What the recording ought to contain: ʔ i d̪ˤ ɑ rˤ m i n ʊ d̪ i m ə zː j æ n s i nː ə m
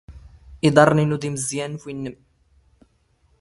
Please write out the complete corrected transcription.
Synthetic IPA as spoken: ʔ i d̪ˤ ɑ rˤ n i n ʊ d̪ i m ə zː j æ n f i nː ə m

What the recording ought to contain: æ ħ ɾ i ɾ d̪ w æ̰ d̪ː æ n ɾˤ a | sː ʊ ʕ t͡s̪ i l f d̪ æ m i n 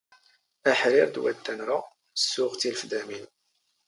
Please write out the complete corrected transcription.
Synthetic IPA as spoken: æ ħ ɾ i ɾ d̪ w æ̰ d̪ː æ n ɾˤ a | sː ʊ ʁ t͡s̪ i l f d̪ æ m i n

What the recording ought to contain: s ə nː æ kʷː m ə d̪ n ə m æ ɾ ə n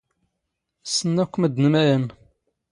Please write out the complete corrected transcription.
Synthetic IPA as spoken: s ə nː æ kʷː m ə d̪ n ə m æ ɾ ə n

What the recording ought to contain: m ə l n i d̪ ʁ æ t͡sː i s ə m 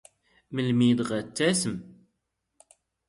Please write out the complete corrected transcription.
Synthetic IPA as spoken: m ə l m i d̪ ʁ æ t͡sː æ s ə m

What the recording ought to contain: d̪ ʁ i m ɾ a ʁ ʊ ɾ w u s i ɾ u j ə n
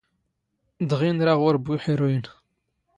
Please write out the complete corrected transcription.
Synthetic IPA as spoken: d̪ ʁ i n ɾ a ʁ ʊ ɾ b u ħ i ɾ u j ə n

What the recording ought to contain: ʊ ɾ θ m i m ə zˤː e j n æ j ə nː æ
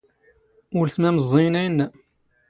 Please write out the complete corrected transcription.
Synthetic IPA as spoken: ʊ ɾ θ m æ m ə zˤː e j n æ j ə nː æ

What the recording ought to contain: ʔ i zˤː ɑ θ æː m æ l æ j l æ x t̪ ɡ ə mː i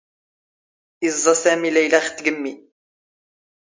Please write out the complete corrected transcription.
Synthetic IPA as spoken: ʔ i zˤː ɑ s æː m i l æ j l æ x t̪ ɡ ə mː i

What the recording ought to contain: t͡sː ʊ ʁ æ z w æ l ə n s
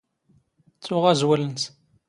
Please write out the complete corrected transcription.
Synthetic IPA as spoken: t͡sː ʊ ʁ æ z w æ l ə n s

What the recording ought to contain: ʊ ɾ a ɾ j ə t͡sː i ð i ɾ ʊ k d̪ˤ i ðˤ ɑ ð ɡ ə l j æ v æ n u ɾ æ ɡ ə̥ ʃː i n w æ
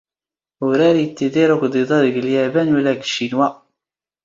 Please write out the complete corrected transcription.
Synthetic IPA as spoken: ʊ ɾ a ɾ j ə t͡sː i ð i ɾ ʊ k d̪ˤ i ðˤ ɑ ð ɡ ə l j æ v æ n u l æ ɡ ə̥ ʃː i n w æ

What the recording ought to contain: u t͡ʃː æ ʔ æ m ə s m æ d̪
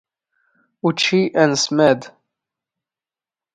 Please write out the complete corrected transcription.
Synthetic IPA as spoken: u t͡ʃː i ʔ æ n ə s m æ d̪

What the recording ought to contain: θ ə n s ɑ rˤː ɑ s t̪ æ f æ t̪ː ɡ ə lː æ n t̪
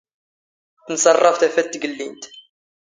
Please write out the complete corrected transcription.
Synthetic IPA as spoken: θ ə n s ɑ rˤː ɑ f t̪ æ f æ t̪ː ɡ ə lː i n t̪

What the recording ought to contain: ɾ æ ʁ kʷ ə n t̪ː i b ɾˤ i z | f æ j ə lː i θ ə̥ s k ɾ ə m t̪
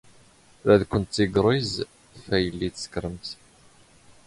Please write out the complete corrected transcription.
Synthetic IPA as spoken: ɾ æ ð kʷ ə n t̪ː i ɡ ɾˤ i z | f æ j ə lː i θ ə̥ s k ɾ ə m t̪

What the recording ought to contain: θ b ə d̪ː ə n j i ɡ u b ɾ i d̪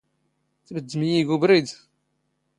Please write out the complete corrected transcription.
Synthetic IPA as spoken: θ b ə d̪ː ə m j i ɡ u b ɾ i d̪

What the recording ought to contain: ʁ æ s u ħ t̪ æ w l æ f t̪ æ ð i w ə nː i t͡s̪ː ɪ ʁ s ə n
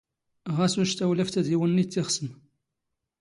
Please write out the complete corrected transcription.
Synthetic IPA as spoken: ʁ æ s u ʃ t̪ æ w l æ f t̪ æ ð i w ə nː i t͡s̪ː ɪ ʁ s ə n

